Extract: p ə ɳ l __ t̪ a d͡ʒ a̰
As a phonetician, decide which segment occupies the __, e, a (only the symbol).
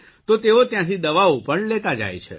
e